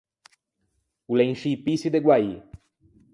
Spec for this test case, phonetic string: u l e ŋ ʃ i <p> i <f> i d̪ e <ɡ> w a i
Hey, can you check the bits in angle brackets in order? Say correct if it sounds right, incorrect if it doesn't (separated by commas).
correct, incorrect, correct